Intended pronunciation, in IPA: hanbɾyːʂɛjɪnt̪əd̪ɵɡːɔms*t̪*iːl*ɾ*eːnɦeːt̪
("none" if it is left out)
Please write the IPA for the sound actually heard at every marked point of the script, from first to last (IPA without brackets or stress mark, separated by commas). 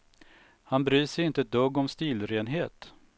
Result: t̪, ɾ